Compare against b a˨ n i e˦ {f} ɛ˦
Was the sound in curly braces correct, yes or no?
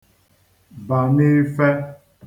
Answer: yes